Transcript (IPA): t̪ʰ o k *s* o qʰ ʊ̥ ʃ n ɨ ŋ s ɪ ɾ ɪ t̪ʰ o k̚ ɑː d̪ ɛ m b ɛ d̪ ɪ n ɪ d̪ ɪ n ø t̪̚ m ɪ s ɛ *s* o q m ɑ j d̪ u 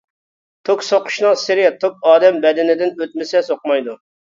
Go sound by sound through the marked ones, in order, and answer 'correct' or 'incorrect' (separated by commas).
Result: correct, correct